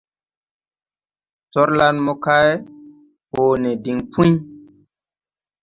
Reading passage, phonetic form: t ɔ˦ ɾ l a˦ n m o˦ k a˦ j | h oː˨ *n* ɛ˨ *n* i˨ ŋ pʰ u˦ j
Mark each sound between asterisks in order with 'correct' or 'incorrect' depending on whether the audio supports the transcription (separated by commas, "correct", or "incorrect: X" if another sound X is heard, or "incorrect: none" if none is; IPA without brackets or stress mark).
correct, incorrect: d